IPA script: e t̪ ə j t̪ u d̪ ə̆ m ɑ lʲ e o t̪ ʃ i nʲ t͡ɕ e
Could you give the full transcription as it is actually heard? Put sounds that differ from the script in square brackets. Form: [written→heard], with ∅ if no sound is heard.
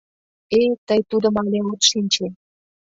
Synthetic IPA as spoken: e t̪ ə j t̪ u d̪ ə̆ m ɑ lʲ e o t̪ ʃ i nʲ t͡ɕ e